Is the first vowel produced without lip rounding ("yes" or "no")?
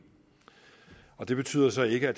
no